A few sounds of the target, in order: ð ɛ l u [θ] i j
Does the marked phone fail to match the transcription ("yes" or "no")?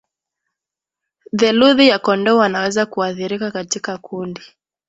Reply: yes